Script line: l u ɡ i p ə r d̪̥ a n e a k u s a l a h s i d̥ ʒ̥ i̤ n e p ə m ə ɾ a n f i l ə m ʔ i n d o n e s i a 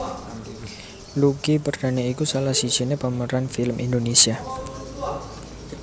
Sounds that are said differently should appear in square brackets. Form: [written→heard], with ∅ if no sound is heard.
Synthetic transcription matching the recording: l u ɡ i p ə r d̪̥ a n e [a→i] k u s a l a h s i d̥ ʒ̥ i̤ n e p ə m ə ɾ a n f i l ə m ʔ i n d o n e s i a

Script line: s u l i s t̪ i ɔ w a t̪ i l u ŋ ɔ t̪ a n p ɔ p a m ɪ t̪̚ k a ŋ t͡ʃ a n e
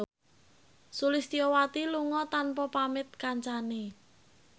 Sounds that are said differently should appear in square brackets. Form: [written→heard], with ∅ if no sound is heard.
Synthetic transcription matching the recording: s u l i s t̪ i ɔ w a t̪ i l u ŋ ɔ t̪ a n p ɔ p a m ɪ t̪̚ k a [ŋ→ɲ] t͡ʃ a n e

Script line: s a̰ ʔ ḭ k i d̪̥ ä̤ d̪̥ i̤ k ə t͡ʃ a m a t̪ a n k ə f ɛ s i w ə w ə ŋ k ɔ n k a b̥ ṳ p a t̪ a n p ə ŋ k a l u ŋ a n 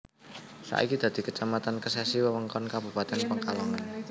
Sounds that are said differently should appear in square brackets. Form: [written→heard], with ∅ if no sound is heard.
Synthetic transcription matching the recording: s a̰ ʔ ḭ k i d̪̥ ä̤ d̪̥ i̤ k ə t͡ʃ a m a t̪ a n k ə [f→s] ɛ s i w ə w ə ŋ k ɔ n k a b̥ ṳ p a t̪ [a→ɛ] n p ə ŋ k a l [u→ɔ] ŋ a n

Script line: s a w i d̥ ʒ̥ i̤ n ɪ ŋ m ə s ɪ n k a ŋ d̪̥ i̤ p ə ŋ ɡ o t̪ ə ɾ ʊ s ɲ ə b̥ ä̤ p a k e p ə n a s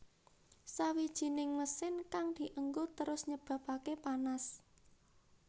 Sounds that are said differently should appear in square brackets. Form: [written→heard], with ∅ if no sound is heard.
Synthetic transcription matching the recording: s a w i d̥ ʒ̥ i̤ n ɪ ŋ m ə s ɪ n k a ŋ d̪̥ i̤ [p→ʔ] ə ŋ ɡ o t̪ ə ɾ ʊ s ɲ ə b̥ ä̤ p a k e p [ə→a] n a s

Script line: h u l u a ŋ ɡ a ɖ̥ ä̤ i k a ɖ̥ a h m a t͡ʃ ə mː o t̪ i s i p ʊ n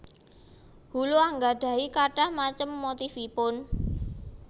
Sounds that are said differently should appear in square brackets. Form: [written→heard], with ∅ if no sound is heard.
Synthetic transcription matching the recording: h u l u a ŋ ɡ a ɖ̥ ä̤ i k a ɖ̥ a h m a t͡ʃ ə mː o t̪ i [s→f] i p ʊ n

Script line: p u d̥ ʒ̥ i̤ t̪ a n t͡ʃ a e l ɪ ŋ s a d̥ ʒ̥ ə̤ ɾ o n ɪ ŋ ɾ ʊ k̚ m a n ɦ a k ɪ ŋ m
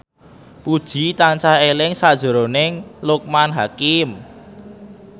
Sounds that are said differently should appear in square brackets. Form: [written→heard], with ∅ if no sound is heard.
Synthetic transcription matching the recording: p u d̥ ʒ̥ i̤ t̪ a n t͡ʃ a e l ɪ ŋ s a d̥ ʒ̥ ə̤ ɾ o n ɪ ŋ [ɾ→l] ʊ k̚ m a n ɦ a k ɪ [ŋ→∅] m

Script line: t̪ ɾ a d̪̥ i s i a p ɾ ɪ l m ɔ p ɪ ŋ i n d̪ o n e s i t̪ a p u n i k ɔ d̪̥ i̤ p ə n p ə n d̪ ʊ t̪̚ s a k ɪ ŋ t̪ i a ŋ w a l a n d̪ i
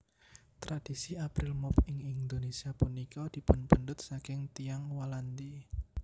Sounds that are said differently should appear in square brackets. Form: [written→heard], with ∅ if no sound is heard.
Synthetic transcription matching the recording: t̪ ɾ a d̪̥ i s i a p ɾ ɪ l m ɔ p ɪ ŋ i n d̪ o n e s i [t̪→∅] a p u n i k ɔ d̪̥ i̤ p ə n p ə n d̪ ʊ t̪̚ s a k ɪ ŋ t̪ i a ŋ w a l a n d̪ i

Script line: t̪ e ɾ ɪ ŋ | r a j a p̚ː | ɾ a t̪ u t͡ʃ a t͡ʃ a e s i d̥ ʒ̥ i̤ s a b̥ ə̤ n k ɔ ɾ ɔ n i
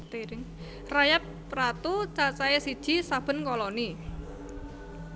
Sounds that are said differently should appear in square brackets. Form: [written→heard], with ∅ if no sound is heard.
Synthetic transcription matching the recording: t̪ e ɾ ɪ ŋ | r a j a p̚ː | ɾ a t̪ u t͡ʃ a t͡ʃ a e s i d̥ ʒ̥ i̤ s a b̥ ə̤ n k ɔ [ɾ→l] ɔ n i

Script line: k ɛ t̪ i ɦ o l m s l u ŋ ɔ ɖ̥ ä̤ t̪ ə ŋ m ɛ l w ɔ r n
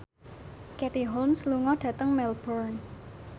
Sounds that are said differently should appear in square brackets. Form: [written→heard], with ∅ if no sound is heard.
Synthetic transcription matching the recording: k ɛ t̪ i ɦ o l m s l u ŋ ɔ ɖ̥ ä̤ t̪ ə ŋ m ɛ l [w→b] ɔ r n

